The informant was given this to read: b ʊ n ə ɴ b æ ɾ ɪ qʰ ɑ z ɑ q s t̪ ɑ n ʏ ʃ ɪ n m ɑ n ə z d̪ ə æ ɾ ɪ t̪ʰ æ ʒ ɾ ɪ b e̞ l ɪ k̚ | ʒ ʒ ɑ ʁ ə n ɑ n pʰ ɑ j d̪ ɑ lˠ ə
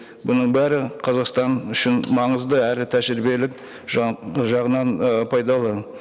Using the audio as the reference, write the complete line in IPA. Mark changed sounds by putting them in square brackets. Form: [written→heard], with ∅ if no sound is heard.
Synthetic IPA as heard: b ʊ n ə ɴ b æ ɾ ɪ qʰ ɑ z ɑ q s t̪ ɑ n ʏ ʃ ɪ n m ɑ [n→ɴ] ə z d̪ ə æ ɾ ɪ t̪ʰ æ ʒ ɾ ɪ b e̞ l ɪ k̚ | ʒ ʒ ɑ ʁ ə n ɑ n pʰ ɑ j d̪ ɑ lˠ ə